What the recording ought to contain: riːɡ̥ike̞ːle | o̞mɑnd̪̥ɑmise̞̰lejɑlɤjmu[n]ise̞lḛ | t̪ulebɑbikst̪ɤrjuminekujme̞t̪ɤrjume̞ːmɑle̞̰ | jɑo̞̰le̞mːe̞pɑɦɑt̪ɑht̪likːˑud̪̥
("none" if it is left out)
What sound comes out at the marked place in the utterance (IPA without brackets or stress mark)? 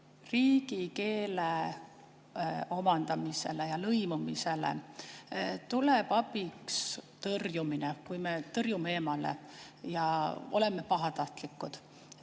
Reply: m